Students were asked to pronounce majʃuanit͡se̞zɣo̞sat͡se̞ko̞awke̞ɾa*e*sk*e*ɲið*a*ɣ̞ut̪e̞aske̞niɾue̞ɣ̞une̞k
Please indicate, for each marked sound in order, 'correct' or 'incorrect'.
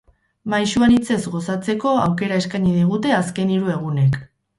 correct, incorrect, incorrect

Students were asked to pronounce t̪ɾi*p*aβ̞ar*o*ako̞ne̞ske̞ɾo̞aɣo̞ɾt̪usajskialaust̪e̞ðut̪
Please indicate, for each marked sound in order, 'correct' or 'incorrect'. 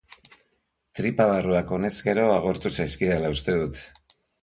correct, incorrect

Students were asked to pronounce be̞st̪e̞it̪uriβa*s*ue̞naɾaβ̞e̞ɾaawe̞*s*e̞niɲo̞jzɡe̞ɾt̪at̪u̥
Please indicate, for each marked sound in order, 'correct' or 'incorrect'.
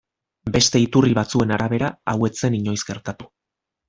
incorrect, incorrect

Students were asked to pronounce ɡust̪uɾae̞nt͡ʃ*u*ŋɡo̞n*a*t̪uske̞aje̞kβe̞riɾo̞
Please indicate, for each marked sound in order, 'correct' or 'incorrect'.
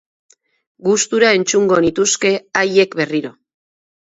correct, incorrect

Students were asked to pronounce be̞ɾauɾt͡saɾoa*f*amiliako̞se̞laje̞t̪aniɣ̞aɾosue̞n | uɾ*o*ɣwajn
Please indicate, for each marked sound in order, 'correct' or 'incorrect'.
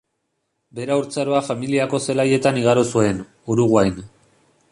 correct, incorrect

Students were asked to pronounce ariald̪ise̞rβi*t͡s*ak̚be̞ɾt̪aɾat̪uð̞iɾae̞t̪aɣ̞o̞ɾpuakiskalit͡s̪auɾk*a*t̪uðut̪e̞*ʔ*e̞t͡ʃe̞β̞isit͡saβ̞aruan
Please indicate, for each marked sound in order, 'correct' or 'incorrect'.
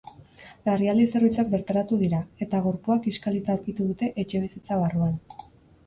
correct, incorrect, correct

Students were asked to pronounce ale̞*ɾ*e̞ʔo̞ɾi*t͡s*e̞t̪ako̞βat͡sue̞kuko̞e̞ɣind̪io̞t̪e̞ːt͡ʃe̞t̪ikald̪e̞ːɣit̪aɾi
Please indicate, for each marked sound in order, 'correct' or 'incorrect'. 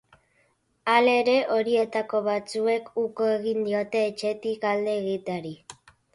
correct, incorrect

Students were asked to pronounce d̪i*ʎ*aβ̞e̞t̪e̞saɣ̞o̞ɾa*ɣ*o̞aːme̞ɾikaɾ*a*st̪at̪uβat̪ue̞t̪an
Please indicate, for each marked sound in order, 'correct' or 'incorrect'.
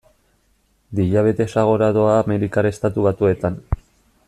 correct, incorrect, incorrect

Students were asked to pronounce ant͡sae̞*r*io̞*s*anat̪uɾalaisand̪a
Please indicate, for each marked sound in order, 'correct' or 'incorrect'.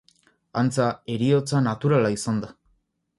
incorrect, incorrect

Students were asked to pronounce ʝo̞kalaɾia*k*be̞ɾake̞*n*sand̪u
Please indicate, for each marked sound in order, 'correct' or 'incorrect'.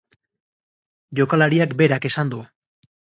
correct, incorrect

